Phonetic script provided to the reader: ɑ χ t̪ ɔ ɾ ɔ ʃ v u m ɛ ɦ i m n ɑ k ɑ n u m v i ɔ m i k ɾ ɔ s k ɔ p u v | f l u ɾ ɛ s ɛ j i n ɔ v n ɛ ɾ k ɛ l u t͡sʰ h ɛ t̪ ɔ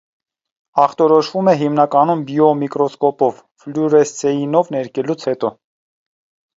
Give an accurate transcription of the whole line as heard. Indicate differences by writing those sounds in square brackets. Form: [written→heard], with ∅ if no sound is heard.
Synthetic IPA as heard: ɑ χ t̪ ɔ ɾ ɔ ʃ v u m ɛ ɦ i m n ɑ k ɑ n u m [v→b] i ɔ m i k ɾ ɔ s k ɔ p [u→ɔ] v | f l u ɾ ɛ s ɛ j i n ɔ v n ɛ ɾ k ɛ l u t͡sʰ h ɛ t̪ ɔ